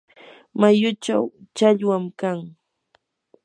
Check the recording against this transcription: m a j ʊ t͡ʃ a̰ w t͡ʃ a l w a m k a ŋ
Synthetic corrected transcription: m a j ʊ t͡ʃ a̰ w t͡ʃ a ʎ w a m k a ŋ